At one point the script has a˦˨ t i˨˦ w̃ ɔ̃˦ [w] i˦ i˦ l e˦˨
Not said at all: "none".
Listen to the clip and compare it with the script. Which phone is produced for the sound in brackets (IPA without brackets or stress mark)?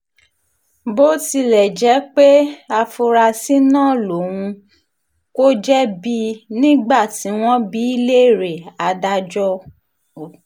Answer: b